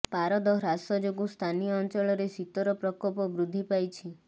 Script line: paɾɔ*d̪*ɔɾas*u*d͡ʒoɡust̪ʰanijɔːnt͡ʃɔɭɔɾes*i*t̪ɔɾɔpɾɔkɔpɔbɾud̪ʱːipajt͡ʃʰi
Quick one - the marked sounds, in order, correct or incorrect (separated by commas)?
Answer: correct, incorrect, correct